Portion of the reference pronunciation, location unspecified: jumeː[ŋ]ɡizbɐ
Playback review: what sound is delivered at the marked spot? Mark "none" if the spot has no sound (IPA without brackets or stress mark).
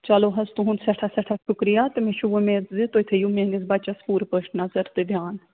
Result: ŋ